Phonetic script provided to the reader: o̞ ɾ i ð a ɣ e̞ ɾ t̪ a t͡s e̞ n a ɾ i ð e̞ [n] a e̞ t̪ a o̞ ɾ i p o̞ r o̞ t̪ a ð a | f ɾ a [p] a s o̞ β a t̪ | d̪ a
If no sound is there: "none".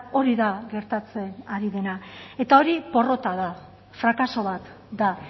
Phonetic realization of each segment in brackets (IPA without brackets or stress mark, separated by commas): n, k